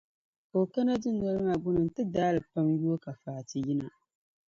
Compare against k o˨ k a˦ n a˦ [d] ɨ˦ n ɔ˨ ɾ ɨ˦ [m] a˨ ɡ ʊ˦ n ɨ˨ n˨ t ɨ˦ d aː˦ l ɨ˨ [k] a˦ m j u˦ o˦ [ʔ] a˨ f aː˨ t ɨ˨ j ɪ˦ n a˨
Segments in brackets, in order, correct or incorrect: correct, incorrect, incorrect, incorrect

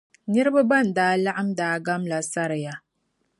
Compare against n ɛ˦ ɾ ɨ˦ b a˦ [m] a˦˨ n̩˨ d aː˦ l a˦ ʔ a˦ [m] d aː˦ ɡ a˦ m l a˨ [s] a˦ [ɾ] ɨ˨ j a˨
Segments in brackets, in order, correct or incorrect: incorrect, correct, correct, correct

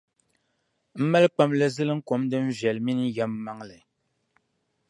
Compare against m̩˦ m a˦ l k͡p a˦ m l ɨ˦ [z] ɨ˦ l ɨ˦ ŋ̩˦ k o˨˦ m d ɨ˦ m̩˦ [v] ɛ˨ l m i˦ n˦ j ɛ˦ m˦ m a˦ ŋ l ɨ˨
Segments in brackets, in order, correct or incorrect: correct, correct

